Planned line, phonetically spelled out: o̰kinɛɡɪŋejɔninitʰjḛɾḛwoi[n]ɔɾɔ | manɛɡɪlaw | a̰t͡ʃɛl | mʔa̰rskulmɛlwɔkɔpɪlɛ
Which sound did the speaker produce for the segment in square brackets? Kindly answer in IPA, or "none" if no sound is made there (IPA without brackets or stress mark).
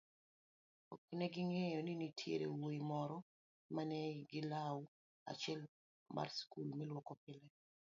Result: m